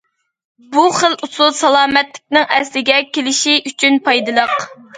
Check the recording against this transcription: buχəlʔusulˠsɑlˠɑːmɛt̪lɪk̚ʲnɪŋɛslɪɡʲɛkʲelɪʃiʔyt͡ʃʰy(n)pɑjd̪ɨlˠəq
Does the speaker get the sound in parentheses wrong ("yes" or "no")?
no